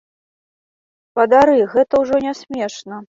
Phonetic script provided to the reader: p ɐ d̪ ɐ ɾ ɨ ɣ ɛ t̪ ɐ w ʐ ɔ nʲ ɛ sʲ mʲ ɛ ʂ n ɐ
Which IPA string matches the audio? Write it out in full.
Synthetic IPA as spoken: p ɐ d̪ a ɾ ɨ ɣ ɛ t̪ ɐ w ʐ ɔ nʲ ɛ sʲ mʲ ɛ ʂ n ɐ